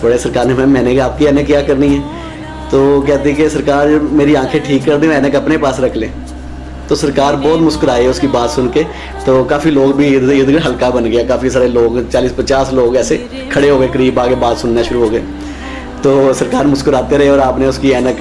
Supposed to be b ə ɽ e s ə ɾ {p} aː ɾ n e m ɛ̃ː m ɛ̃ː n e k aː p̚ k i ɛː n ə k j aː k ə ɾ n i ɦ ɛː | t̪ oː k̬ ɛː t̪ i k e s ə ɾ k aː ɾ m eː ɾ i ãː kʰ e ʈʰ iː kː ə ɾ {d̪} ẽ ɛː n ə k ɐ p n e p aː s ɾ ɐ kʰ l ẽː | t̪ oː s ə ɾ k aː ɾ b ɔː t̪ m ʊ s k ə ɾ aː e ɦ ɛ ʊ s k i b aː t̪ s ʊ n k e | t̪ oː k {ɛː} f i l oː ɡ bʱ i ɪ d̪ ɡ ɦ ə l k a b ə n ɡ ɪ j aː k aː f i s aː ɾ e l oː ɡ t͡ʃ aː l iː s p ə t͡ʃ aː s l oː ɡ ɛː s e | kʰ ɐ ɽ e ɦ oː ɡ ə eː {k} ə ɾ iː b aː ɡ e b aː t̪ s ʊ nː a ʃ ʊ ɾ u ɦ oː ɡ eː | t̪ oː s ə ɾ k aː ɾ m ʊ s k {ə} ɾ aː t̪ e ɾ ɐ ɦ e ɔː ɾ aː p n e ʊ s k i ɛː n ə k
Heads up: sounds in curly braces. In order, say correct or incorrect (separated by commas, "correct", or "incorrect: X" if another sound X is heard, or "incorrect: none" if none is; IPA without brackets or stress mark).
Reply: incorrect: k, correct, incorrect: aː, correct, correct